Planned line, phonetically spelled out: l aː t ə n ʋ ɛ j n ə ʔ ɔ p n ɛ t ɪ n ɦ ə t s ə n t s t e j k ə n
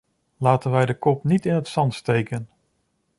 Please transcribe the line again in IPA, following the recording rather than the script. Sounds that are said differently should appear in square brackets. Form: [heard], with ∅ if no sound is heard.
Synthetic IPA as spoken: l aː t ə n ʋ ɛ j [d] ə [k] ɔ p n [i] t ɪ n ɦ ə t s [ɑ] n t s t e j k ə n